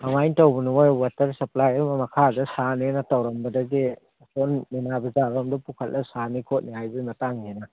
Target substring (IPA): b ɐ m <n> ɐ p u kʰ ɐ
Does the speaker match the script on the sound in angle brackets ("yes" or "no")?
no